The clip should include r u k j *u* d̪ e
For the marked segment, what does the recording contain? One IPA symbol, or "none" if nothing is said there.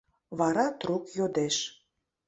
o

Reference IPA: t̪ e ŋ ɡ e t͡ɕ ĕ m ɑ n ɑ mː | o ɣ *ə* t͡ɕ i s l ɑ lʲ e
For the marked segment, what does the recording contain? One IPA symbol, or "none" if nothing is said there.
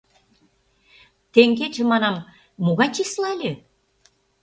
ɑ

